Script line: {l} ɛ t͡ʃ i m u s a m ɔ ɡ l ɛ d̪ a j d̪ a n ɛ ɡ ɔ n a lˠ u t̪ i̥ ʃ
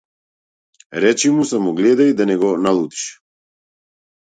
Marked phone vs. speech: incorrect: ɾ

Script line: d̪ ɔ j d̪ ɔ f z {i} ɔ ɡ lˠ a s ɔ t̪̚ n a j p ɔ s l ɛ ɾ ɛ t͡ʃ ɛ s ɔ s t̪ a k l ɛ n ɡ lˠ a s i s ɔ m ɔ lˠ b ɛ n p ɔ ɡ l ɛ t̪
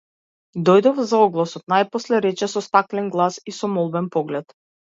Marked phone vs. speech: incorrect: a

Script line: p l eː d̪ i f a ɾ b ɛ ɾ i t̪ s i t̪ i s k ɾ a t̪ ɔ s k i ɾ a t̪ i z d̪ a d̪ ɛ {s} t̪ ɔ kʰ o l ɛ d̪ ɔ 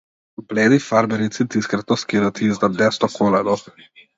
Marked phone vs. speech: correct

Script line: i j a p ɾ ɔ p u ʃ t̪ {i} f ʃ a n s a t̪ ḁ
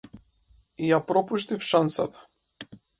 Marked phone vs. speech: correct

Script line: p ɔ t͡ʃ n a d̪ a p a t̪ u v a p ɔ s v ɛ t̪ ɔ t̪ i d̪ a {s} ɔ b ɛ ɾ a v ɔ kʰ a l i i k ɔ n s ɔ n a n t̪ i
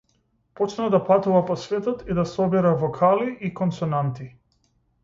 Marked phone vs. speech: correct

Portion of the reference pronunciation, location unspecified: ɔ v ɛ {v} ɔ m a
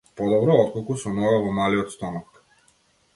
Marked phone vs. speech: correct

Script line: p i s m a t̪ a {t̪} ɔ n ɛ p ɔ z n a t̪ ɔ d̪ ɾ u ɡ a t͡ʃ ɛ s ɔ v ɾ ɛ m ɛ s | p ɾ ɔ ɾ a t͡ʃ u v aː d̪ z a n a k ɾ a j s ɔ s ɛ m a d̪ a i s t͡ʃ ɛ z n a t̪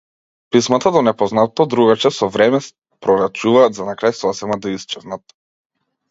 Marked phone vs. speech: incorrect: d̪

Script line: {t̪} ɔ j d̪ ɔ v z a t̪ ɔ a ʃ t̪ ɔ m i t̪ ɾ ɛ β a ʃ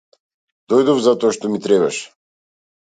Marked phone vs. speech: incorrect: d̪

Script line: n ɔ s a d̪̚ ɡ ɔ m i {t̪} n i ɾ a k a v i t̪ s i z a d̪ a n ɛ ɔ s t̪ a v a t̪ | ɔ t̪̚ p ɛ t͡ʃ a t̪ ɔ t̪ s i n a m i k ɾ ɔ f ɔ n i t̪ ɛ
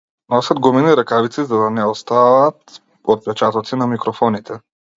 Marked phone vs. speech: incorrect: none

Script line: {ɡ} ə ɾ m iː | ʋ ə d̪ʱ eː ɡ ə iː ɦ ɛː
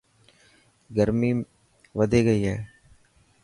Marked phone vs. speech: correct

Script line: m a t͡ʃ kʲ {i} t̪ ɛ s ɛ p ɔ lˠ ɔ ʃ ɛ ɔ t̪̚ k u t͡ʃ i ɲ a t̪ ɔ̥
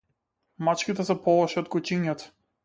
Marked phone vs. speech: correct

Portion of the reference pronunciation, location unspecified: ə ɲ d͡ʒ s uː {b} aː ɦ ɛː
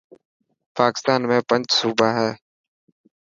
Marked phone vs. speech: correct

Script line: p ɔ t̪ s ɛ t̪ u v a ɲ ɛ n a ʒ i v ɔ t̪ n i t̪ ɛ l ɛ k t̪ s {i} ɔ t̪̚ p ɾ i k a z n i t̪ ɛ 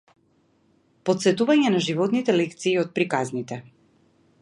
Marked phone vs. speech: incorrect: iː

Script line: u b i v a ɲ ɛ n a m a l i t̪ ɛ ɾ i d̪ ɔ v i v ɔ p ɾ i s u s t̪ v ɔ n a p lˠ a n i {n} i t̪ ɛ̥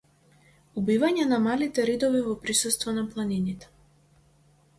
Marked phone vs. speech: correct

